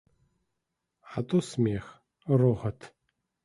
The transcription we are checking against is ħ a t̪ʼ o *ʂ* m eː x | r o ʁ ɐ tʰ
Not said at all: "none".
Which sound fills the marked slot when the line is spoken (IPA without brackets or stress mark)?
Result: s